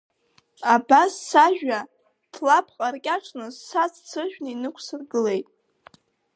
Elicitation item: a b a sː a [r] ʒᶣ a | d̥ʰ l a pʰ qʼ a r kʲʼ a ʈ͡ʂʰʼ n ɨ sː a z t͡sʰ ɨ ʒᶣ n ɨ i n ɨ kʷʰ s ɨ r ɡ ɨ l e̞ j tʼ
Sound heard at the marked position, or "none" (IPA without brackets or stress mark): none